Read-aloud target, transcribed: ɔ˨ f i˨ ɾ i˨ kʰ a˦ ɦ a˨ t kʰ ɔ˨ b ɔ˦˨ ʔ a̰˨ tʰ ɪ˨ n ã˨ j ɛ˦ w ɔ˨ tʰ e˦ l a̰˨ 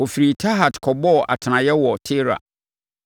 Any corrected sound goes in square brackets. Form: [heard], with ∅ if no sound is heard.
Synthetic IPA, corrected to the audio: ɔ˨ f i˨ ɾ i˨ [tʰ] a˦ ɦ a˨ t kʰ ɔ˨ b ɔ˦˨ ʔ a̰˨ tʰ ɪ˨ n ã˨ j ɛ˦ w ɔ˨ tʰ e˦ [ɾ] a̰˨